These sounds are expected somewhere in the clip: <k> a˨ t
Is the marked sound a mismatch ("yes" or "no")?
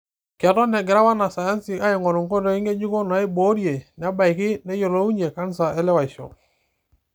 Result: no